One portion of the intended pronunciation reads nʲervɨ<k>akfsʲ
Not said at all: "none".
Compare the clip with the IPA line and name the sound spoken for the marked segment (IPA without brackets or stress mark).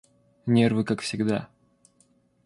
k